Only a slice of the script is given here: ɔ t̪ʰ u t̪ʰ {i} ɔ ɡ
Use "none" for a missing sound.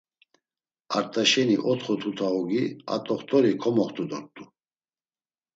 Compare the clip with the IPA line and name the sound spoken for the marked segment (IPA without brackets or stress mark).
a